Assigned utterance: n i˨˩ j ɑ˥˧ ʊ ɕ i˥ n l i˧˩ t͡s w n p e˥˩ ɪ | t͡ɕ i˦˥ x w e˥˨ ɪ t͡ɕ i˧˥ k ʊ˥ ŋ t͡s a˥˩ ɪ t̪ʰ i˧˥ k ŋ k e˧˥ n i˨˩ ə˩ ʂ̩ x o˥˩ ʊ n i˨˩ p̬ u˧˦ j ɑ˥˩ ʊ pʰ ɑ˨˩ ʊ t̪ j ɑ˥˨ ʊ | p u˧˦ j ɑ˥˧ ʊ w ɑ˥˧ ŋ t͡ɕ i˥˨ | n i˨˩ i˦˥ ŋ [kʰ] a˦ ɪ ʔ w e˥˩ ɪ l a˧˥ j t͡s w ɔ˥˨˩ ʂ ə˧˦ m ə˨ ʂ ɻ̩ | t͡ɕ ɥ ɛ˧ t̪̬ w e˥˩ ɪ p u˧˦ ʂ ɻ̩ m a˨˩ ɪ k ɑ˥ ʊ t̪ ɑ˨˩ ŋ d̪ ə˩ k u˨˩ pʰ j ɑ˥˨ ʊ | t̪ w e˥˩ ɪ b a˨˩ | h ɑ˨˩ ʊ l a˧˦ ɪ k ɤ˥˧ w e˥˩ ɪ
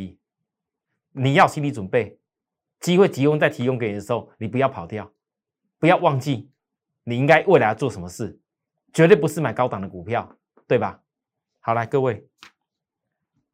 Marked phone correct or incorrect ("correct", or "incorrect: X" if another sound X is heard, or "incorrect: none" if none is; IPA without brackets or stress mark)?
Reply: incorrect: k